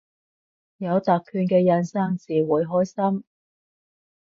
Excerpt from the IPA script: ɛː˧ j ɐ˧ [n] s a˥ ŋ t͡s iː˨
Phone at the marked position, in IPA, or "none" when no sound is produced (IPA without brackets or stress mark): n